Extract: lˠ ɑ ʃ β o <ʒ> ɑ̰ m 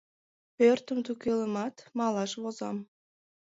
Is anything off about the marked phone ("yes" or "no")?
yes